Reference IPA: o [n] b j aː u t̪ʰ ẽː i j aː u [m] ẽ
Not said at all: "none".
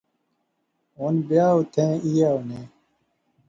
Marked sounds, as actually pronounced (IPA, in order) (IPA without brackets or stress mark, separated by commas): n, n